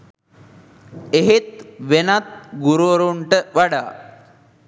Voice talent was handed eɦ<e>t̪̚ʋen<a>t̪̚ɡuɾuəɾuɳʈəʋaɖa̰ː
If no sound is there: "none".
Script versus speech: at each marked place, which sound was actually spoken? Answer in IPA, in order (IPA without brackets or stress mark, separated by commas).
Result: e, a